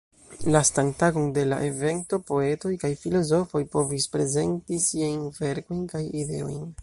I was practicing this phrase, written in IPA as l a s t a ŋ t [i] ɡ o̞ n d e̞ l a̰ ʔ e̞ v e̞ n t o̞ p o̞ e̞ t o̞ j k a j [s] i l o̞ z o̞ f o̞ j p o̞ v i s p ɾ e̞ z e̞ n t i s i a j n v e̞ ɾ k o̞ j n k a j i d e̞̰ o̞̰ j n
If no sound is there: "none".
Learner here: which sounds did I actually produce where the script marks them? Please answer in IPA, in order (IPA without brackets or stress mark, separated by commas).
a, f